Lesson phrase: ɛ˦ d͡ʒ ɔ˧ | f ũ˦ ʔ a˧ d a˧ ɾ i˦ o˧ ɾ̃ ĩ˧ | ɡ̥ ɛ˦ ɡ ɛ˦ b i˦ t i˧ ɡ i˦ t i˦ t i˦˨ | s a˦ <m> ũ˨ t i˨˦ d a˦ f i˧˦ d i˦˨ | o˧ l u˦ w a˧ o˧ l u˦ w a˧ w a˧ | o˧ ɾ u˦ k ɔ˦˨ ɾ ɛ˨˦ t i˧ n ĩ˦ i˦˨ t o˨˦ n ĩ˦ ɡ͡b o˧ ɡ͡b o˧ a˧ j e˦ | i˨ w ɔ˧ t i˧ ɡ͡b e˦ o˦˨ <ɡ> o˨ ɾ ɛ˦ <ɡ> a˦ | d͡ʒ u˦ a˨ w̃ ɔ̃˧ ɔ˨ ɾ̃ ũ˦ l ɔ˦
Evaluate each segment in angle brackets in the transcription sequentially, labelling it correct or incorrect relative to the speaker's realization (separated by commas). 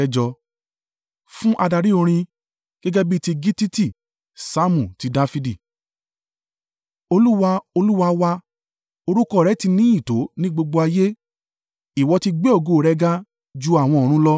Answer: correct, correct, correct